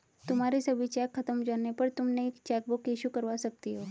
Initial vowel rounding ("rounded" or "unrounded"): rounded